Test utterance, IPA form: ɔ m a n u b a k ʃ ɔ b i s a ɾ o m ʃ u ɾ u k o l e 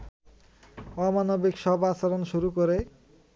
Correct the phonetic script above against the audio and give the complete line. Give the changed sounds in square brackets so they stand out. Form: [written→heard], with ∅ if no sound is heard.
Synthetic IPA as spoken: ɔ m a n [u→o] b [a→i] k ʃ ɔ b [i→a] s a ɾ o [m→n] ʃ u ɾ u k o [l→ɾ] e